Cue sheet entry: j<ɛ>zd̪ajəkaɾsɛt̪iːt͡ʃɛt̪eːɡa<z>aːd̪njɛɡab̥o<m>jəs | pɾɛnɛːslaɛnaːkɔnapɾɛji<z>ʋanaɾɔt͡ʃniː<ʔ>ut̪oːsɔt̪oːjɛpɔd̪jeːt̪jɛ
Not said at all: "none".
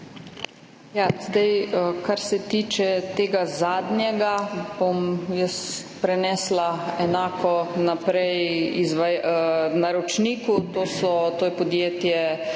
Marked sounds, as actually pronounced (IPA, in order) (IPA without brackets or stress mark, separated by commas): a, z, m, z, k